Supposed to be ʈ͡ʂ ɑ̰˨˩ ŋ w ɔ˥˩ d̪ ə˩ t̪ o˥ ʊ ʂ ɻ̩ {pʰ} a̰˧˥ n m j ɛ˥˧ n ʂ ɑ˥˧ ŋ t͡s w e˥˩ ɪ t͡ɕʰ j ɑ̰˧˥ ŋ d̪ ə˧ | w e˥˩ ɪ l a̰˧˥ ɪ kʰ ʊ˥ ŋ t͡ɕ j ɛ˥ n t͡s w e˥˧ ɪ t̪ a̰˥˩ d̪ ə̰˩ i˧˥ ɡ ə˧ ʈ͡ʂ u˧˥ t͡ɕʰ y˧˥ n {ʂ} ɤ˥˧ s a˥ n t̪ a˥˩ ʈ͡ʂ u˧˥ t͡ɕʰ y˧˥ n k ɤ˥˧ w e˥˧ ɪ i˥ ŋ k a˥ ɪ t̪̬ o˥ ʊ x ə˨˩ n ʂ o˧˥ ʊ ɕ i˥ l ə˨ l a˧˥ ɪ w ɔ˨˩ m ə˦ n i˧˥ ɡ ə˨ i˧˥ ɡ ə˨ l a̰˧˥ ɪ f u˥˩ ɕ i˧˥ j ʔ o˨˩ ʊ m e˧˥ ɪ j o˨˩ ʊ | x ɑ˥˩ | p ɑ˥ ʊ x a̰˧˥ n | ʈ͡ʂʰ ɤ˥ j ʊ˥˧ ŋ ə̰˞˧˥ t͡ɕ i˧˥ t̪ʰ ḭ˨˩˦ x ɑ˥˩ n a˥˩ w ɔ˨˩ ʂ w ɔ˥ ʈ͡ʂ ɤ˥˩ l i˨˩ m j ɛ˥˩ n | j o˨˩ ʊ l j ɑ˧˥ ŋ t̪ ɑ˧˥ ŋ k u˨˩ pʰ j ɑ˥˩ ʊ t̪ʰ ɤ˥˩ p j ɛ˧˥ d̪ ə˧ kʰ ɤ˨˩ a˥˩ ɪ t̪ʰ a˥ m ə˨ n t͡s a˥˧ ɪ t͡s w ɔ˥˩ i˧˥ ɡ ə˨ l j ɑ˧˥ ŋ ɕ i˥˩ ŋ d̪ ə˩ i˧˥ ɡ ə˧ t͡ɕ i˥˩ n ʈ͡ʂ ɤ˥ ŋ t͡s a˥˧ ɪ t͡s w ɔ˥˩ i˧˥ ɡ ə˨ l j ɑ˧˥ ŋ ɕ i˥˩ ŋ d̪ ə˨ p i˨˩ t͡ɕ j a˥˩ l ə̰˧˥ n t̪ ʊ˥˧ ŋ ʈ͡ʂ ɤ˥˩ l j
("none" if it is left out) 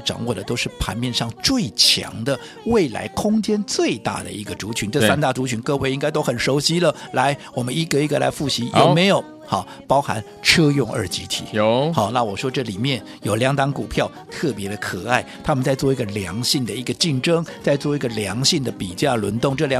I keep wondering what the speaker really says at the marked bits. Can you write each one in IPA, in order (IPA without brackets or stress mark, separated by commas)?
pʰ, ʈ͡ʂ